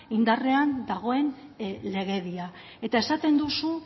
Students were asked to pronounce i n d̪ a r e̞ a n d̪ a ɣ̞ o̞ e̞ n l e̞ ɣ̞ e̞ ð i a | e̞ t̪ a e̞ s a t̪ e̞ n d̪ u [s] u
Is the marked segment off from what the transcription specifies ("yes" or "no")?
no